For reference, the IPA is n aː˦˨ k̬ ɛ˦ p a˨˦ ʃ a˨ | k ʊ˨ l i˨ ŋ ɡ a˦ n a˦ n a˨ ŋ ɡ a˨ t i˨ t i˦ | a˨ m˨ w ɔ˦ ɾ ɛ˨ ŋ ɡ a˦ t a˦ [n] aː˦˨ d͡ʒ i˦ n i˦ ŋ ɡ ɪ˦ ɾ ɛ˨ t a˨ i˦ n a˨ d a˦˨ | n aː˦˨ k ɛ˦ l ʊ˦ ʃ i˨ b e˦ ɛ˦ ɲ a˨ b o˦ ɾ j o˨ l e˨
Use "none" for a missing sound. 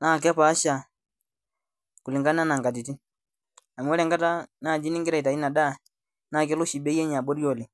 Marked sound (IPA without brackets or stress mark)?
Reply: n